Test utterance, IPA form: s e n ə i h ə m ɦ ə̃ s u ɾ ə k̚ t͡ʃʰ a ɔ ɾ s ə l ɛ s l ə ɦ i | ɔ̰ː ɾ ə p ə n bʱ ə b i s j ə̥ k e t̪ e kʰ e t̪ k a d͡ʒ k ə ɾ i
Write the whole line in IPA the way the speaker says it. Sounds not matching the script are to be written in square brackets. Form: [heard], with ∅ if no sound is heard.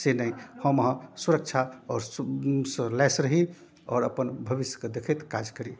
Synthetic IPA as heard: s e n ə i h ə m ɦ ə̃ s u ɾ ə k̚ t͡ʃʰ a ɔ ɾ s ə l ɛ s [ɾ] ə ɦ i | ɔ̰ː ɾ ə p ə n bʱ ə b i s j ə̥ k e [d̪] e kʰ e t̪ k a d͡ʒ k ə ɾ i

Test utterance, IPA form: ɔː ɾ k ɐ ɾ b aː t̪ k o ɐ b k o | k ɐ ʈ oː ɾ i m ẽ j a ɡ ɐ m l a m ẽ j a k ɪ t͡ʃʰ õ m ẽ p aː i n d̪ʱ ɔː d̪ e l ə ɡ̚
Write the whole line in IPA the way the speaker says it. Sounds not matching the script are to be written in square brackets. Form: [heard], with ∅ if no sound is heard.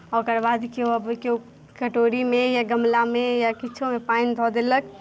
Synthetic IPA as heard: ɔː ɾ k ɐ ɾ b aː [d̪] k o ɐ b k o | k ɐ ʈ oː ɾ i m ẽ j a ɡ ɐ m l a m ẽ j a k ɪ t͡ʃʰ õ m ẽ p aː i n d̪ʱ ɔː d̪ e l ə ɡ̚

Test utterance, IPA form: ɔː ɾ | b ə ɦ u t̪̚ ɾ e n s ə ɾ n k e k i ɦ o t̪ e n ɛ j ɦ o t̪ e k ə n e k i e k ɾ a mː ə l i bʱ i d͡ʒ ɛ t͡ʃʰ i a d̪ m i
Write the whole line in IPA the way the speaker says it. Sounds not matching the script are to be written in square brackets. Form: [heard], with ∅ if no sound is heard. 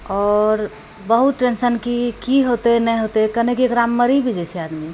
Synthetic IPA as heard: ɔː ɾ | b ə ɦ u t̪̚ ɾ e n s ə [∅] n k [i] k i ɦ o t̪ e n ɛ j ɦ o t̪ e k ə n e k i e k ɾ a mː ə [ɾ] i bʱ i d͡ʒ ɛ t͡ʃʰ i a d̪ m i

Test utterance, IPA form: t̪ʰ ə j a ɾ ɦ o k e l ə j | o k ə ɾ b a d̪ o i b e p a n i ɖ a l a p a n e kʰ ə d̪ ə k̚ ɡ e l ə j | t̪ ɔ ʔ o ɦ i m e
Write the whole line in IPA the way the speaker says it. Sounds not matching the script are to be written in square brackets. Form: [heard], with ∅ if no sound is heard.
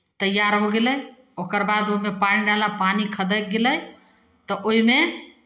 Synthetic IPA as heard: [t̪] ə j a ɾ ɦ o [ɡ] e l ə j | o k ə ɾ b a d̪ o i [m] e p a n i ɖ a l a p a n [i] kʰ ə d̪ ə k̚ ɡ e l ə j | t̪ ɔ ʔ o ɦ i m e

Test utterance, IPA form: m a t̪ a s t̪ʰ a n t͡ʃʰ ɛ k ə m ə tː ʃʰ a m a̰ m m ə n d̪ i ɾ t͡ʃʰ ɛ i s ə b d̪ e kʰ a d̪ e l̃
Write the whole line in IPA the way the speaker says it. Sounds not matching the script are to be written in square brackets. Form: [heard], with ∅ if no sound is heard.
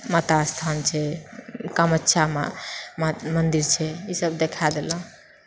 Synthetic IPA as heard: m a t̪ a s t̪ʰ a n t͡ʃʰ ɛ k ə m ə tː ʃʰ a m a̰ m m ə n d̪ i ɾ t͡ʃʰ ɛ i s ə b d̪ e kʰ a d̪ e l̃

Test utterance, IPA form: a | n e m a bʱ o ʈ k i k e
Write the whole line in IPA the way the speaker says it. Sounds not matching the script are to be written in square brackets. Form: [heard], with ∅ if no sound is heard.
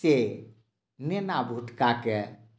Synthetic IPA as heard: [e] | n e [n] a bʱ [u] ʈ k [a] k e

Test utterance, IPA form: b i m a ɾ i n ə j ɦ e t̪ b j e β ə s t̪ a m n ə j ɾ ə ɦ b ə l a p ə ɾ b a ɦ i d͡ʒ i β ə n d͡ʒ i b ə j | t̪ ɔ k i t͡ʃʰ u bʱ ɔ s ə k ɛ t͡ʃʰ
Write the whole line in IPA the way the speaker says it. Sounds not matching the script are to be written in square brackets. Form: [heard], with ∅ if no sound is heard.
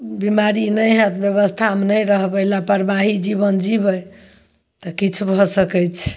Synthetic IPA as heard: b i m a ɾ i n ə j ɦ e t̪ b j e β ə s [t̪ʰ] a m n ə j ɾ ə ɦ b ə l a p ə ɾ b a ɦ i d͡ʒ i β ə n d͡ʒ i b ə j | t̪ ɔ k i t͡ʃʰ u bʱ ɔ s ə k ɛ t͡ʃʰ

